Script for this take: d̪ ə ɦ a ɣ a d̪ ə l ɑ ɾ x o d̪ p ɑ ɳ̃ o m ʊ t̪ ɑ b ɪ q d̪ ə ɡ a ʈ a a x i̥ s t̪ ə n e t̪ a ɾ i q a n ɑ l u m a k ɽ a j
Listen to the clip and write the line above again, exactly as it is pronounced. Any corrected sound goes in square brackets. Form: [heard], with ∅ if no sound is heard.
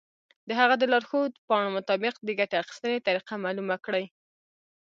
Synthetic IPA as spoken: d̪ ə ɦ a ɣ a d̪ ə l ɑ ɾ x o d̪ p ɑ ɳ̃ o m ʊ t̪ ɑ b ɪ q d̪ ə ɡ a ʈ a a x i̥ s t̪ ə n e t̪ a ɾ i q a [m] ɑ l u m a k ɽ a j